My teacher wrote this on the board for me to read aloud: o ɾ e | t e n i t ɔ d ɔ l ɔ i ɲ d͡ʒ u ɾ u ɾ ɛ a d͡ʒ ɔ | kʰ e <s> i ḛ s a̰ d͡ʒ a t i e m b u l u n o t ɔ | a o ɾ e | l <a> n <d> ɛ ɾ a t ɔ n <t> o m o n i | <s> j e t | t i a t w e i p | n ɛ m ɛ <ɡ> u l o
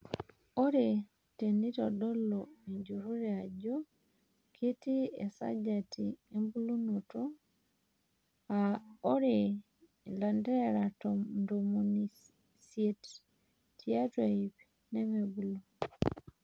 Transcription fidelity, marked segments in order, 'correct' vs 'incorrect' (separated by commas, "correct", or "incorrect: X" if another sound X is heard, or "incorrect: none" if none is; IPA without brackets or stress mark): incorrect: t, correct, correct, incorrect: d, correct, incorrect: b